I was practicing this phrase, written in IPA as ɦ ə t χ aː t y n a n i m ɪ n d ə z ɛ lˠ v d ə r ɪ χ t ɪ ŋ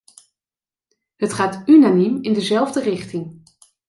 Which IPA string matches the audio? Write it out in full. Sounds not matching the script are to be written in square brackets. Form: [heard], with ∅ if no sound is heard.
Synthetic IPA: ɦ ə t χ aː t y n a n i m ɪ n d ə z ɛ lˠ v d ə r ɪ χ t ɪ ŋ

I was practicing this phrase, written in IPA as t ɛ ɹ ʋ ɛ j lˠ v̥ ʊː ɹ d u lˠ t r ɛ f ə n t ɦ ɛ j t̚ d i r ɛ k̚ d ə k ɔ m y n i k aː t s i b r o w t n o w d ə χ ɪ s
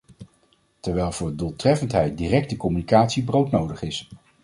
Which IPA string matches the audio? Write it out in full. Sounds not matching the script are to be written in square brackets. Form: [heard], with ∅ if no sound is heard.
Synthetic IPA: t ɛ ɹ ʋ ɛ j lˠ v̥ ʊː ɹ d u lˠ t r ɛ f ə n t ɦ ɛ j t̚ d i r ɛ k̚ [t] ə k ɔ m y n i k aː t s i b r o w t n o w d ə χ ɪ s

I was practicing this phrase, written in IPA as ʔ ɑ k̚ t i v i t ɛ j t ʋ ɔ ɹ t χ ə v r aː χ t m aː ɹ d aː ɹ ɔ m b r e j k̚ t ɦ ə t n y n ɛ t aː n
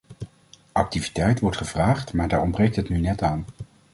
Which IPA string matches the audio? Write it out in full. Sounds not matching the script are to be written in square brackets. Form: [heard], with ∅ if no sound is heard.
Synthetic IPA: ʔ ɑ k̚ t i v i t ɛ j t ʋ ɔ ɹ t χ ə v r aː χ t m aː ɹ d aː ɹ ɔ m b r e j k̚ t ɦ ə t n y n ɛ t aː n

